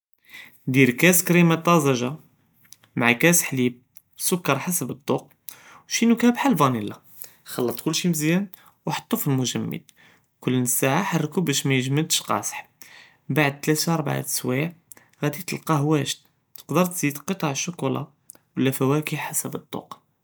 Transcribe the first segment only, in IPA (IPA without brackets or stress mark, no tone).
d̪